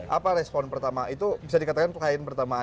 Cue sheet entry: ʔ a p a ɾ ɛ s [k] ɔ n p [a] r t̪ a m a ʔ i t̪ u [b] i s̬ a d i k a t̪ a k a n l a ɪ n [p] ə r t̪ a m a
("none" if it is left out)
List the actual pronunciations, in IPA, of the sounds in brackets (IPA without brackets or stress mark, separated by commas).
p, ə, b, p